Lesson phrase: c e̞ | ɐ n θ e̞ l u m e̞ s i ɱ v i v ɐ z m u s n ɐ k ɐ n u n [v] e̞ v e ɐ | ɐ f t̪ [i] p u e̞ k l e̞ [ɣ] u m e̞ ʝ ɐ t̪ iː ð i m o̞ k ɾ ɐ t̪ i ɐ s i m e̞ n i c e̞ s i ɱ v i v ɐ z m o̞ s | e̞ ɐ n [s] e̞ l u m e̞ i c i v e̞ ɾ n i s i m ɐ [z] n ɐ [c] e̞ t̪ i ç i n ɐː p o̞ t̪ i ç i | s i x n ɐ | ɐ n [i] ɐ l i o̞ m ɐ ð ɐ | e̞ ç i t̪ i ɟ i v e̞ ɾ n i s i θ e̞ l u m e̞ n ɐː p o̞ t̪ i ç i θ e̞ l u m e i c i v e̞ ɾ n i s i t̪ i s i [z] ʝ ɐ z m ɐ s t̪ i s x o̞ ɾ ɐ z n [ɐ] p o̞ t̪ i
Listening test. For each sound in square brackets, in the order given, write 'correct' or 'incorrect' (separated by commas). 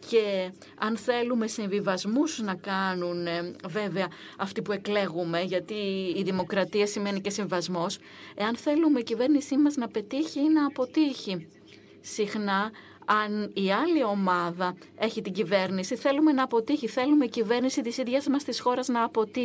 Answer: correct, correct, correct, incorrect, correct, incorrect, correct, incorrect, incorrect